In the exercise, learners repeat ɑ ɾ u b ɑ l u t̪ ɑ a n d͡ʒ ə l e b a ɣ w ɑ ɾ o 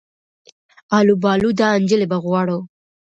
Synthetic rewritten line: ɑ l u b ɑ l u d̪ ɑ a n d͡ʒ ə l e b a ɣ w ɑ ɽ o